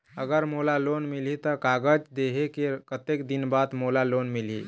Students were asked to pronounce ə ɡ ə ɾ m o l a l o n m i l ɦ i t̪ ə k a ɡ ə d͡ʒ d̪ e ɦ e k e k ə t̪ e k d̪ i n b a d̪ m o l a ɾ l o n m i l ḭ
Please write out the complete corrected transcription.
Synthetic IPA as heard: ə ɡ ə ɾ m o l a l o n m i l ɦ i t̪ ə k a ɡ ə d͡ʒ d̪ e ɦ e k e k ə t̪ e k d̪ i n b a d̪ m o l a l o n m i l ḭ

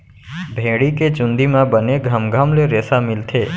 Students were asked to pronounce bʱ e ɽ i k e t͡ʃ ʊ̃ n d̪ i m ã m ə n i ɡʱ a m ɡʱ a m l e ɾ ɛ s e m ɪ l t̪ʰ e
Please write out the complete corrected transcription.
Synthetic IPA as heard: bʱ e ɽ i k e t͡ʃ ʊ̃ n d̪ i m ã b ə n e ɡʱ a m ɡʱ a m l e ɾ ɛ s a m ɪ l t̪ʰ e

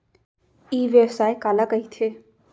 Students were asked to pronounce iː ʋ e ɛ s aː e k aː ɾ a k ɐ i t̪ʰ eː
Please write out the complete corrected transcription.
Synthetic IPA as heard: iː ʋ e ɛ s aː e k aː l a k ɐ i t̪ʰ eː

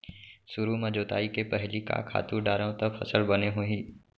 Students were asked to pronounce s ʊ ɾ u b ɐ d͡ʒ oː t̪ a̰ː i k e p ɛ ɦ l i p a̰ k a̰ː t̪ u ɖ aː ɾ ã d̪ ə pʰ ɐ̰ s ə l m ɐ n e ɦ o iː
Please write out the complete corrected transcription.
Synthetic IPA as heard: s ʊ ɾ u m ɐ d͡ʒ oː t̪ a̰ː i k e p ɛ ɦ l i k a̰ kʰ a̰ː t̪ u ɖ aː ɾ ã t̪ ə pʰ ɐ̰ s ə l b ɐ n e ɦ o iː

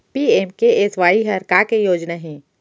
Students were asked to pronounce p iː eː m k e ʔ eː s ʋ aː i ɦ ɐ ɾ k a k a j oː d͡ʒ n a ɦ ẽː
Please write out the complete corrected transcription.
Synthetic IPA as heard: p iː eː m k e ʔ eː s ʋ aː i ɦ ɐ ɾ k a k e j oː d͡ʒ n a ɦ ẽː

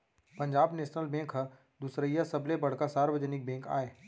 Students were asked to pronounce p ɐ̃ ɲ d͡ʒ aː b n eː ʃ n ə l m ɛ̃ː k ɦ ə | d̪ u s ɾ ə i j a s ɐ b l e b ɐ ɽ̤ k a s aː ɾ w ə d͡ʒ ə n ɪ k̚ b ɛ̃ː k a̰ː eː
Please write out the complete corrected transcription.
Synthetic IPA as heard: p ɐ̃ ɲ d͡ʒ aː b n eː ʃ n ə l b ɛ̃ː k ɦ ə | d̪ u s ɾ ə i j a s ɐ b l e b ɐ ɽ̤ k a s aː ɾ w ə d͡ʒ ə n ɪ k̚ b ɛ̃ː k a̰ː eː

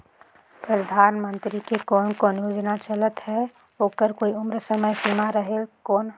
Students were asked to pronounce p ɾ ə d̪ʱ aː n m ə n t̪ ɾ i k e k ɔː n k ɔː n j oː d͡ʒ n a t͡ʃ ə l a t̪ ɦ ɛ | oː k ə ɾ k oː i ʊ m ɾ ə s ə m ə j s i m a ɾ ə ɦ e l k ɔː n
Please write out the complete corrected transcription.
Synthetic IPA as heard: p ɾ ə d̪ʱ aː n m ə n t̪ ɾ i k e k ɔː n k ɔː n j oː d͡ʒ n a t͡ʃ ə l ə t̪ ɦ ɛ | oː k ə ɾ k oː i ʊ m ɾ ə s ə m ə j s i m a ɾ ə ɦ e l k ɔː n

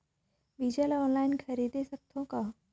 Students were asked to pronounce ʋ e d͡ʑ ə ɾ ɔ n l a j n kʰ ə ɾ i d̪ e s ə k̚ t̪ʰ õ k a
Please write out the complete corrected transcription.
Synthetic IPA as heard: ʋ i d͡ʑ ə l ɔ n l a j n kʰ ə ɾ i d̪ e s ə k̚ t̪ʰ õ k a

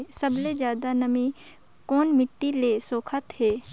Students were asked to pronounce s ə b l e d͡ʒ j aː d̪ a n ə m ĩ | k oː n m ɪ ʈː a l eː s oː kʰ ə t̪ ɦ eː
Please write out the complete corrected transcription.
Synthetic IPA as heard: s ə b l e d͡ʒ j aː d̪ a n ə m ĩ | k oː n m ɪ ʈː i l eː s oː kʰ ə t̪ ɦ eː

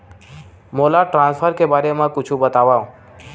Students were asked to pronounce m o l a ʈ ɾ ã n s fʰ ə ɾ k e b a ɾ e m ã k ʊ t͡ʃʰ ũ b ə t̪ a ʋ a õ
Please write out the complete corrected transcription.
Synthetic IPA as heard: m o l a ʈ ɾ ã n s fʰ ə ɾ k e b a ɾ e m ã k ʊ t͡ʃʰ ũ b ə t̪ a ʋ a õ

